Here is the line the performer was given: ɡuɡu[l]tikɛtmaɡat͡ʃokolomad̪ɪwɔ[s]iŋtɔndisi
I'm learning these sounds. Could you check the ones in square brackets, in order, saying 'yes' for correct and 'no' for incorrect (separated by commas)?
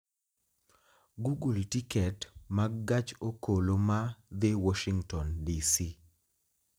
yes, no